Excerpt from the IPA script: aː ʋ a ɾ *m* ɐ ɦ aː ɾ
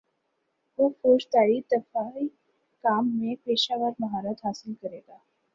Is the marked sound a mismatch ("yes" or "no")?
no